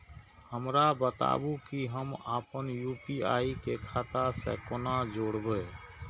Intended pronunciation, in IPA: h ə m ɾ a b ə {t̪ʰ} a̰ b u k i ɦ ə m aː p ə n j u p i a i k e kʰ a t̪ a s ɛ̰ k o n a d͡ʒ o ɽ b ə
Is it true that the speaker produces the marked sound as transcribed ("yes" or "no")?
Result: no